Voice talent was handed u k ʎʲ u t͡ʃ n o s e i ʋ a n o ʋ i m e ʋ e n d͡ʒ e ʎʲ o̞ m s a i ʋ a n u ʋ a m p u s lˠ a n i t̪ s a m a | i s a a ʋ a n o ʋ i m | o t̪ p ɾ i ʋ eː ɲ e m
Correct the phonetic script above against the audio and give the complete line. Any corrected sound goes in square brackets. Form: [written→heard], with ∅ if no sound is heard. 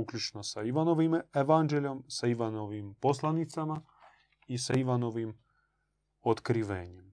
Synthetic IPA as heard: u k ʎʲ u t͡ʃ n o s [e→a] i ʋ a n o ʋ i m e ʋ [e→a] n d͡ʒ e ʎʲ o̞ m s a i ʋ a n [u→o] ʋ [a→i] m p [u→o] s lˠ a n i t̪ s a m a | i s a [a→i] ʋ a n o ʋ i m | o t̪ [p→k] ɾ i ʋ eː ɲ e m